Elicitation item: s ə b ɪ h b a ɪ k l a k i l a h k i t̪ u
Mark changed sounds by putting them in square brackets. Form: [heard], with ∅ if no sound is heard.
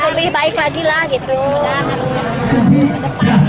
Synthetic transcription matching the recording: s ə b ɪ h b a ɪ k l a [ɡ] i l a h [ɡ] i t̪ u